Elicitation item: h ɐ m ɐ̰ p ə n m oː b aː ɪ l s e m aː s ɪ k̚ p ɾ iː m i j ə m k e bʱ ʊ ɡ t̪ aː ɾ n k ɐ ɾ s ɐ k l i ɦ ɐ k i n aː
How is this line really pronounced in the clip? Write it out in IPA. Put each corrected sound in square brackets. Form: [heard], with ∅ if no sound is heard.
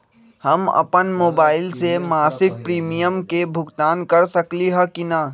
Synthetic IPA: h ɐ m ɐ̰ p ə n m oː b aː ɪ l s e m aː s ɪ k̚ p ɾ iː m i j ə m k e bʱ ʊ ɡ t̪ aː [∅] n k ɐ ɾ s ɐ k l i ɦ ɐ k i n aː